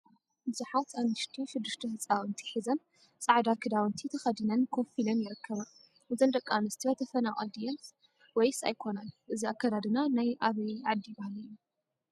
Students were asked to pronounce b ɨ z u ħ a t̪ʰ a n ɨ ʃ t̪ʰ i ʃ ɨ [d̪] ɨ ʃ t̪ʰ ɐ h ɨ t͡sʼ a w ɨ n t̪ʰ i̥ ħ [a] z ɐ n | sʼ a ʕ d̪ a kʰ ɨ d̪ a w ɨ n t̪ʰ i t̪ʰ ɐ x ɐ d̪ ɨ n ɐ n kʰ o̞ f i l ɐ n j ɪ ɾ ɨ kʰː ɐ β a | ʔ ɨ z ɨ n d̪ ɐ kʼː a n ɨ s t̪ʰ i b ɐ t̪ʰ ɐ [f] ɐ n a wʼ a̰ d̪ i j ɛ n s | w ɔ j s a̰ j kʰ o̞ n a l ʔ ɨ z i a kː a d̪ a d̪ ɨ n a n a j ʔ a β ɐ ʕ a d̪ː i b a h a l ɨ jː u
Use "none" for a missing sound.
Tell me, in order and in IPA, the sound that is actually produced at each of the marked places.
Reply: d̪ː, i, f

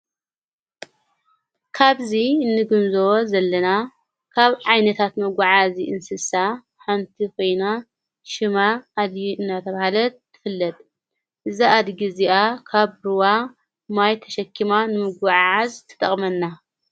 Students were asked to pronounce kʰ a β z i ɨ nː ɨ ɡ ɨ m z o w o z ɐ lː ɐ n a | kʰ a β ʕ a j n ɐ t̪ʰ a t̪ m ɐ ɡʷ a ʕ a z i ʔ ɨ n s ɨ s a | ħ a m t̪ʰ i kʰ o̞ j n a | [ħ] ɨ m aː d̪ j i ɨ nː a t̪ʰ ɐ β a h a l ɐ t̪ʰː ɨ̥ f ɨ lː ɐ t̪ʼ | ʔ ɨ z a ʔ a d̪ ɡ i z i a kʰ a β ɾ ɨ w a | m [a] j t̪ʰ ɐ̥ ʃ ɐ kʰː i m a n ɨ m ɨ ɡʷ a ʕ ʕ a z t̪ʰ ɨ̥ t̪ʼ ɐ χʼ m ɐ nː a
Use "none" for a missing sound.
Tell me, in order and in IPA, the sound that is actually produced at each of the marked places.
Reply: ʃ, a

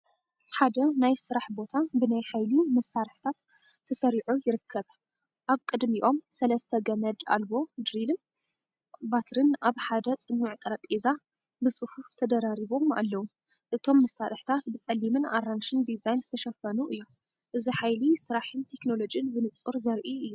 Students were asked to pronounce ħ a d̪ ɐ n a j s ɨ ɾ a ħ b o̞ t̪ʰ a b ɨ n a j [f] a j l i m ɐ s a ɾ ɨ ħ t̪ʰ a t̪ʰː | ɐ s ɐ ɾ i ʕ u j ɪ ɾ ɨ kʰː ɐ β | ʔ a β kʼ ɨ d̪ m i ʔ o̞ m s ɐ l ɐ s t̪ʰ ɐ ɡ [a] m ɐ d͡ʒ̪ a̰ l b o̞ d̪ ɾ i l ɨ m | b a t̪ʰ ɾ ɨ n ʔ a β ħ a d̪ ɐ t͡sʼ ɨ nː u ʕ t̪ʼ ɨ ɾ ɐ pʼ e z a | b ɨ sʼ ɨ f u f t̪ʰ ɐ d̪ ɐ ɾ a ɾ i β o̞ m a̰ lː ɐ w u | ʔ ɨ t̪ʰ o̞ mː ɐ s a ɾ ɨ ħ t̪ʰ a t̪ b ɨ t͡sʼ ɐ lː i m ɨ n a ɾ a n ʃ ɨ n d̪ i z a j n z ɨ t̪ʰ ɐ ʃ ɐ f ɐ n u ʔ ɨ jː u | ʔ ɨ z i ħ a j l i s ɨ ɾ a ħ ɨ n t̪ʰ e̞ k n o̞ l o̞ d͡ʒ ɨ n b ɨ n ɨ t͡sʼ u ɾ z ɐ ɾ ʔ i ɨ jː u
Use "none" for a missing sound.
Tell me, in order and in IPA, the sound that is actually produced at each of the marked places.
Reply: ħ, ɐ

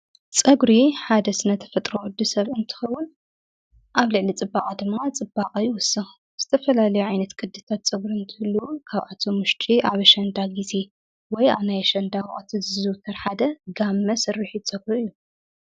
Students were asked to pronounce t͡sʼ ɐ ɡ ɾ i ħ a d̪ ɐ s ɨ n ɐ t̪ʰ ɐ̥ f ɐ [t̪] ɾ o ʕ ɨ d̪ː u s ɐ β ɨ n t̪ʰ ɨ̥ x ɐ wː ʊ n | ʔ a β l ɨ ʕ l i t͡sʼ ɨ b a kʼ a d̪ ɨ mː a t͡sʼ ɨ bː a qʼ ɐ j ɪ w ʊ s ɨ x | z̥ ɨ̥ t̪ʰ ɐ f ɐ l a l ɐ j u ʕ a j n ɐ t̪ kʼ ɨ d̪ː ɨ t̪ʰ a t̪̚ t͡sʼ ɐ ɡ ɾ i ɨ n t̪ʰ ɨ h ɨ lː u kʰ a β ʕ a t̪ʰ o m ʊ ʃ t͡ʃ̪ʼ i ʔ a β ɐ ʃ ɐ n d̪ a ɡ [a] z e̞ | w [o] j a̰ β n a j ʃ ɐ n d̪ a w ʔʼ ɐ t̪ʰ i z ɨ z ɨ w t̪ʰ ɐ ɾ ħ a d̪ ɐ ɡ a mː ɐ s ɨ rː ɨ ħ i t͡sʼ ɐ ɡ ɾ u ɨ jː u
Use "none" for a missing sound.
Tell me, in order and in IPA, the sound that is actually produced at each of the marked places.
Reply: t̪ʼ, i, ɔ

